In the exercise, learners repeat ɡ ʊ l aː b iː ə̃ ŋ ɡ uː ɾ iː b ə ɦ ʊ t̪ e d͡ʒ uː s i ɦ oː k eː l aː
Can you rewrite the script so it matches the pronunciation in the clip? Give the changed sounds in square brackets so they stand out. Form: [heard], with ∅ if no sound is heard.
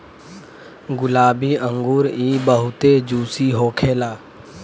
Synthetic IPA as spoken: ɡ ʊ l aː b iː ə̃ ŋ ɡ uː ɾ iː b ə ɦ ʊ t̪ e d͡ʒ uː s i ɦ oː [kʰ] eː l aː